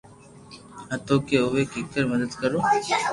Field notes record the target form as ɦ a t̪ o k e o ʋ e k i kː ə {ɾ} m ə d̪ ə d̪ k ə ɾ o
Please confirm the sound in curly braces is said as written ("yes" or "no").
yes